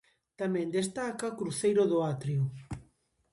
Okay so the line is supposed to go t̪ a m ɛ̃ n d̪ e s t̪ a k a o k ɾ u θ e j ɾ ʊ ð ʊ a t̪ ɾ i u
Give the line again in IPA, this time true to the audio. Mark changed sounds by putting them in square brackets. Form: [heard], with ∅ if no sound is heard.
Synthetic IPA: t̪ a m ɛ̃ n d̪ e s t̪ a k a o k ɾ u θ e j ɾ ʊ ð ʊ a t̪ ɾ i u